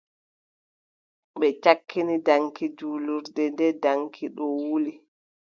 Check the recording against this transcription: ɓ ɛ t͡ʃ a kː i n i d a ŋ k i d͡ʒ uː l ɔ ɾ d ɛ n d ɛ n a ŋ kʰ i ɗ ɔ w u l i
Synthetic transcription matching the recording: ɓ ɛ t͡ʃ a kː i n i d a ŋ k i d͡ʒ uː l u ɾ d ɛ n d ɛ d a ŋ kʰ i ɗ ɔ w u l i